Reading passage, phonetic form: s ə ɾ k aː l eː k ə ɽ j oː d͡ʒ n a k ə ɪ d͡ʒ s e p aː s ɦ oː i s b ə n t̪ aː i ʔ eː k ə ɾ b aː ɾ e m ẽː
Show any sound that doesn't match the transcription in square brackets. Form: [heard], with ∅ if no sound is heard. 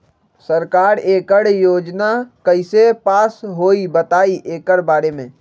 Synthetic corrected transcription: s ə ɾ k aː [ɾ] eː k ə ɽ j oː d͡ʒ n a k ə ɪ [∅] s e p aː s ɦ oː i [∅] b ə [∅] t̪ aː i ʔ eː k ə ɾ b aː ɾ e m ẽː

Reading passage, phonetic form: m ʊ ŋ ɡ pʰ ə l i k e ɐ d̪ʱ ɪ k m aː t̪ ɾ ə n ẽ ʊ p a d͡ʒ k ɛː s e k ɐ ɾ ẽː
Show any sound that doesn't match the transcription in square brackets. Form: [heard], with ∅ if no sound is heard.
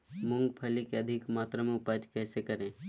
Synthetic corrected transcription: m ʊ ŋ ɡ pʰ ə l i k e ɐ d̪ʱ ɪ k m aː t̪ ɾ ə [m] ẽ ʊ p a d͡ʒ k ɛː s e k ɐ ɾ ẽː

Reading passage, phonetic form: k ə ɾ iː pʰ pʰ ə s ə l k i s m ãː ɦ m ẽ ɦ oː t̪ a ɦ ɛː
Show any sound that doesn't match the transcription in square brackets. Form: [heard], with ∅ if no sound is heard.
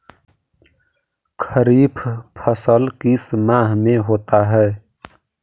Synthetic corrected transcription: [kʰ] ə ɾ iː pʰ pʰ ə s ə l k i s m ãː ɦ m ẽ ɦ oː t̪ a ɦ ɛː

